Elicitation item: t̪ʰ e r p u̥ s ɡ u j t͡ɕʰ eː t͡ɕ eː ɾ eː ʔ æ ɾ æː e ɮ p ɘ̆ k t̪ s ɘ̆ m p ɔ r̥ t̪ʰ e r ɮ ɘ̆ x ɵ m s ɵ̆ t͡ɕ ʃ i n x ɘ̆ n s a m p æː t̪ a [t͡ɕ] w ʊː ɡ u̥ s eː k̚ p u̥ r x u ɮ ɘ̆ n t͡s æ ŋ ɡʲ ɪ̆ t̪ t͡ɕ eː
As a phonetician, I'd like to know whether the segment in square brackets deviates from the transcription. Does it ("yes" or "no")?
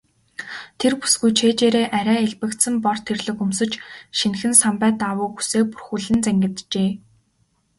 yes